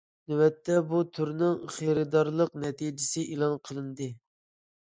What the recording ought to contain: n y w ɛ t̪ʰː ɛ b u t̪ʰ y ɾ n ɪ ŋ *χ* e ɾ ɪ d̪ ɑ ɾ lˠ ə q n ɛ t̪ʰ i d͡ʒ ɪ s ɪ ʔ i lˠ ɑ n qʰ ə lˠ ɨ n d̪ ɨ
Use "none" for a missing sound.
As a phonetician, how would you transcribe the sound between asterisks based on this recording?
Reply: χ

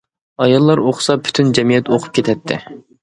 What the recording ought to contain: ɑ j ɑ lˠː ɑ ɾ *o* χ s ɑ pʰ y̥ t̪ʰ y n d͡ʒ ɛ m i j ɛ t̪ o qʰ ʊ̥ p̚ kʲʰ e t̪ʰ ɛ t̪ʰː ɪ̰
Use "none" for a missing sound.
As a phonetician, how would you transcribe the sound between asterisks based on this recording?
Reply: o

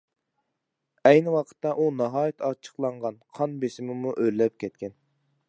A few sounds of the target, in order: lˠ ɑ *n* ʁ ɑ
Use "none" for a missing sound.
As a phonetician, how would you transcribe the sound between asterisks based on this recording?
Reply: ɴ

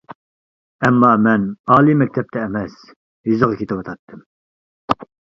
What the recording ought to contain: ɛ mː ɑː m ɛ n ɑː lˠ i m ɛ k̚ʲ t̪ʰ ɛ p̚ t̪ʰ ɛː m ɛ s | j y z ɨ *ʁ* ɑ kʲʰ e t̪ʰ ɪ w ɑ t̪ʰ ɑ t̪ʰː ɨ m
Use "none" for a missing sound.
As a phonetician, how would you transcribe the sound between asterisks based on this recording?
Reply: ʁ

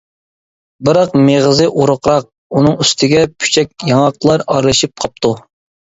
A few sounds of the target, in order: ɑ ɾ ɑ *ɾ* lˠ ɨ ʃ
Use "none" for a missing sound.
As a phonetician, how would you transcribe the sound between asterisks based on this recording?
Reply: ɾ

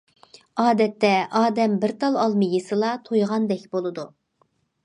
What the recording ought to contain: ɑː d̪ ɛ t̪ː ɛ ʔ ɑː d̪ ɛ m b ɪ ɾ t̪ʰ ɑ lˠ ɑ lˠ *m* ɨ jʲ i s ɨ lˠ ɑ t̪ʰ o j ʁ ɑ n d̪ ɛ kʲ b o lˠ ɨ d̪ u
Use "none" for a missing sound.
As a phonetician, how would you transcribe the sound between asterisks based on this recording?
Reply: m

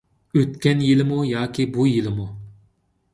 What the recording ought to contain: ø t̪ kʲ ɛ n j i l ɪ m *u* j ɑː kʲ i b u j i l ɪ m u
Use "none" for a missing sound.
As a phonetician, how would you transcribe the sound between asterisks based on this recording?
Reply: u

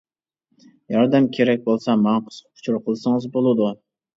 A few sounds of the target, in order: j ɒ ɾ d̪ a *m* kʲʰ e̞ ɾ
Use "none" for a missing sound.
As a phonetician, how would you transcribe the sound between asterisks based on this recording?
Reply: m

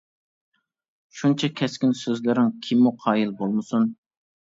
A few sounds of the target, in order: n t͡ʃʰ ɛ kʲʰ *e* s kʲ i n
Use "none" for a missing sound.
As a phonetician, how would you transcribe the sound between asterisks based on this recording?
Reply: ɛ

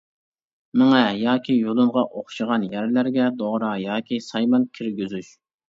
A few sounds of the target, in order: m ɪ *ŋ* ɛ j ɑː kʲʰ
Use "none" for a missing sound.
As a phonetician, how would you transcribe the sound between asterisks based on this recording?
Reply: ŋ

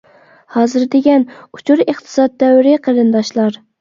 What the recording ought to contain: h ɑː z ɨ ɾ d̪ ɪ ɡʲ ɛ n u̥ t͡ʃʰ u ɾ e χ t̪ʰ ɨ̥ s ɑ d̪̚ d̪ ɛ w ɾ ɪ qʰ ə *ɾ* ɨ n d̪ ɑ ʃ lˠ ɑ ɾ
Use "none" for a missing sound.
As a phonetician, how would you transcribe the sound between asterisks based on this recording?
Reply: ɾ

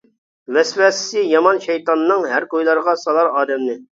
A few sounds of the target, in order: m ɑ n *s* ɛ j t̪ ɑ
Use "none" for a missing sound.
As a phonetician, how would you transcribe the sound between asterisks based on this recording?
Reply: ʃ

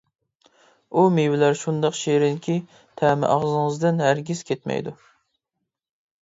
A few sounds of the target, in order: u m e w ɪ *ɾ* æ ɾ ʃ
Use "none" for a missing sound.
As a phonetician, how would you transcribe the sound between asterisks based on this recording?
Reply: l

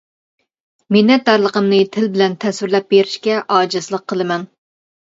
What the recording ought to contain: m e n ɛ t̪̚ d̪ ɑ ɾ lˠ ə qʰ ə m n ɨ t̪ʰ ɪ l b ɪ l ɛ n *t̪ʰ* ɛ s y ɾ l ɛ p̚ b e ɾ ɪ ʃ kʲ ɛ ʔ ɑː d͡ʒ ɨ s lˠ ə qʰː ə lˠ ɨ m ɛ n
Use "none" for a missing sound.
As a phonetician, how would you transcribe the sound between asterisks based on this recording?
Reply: t̪ʰ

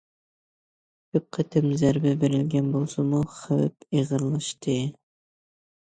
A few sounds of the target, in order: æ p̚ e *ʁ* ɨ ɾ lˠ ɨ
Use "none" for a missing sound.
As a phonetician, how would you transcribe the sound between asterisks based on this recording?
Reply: ʁ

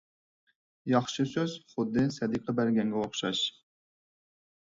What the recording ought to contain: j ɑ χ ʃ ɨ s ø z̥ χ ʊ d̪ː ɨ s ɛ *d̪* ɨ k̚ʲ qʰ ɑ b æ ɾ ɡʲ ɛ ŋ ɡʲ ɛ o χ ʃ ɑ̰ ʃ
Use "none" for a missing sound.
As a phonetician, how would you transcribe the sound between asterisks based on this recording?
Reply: d̪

